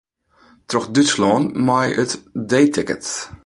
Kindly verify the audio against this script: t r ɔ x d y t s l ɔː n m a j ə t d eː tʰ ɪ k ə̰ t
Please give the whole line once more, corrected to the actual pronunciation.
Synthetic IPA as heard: t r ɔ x d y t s l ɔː n m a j ə t d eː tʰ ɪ k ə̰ t